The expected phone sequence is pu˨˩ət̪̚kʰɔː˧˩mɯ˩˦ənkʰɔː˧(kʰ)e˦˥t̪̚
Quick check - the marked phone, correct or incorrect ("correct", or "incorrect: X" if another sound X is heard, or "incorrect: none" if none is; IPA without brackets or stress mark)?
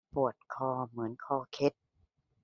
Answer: correct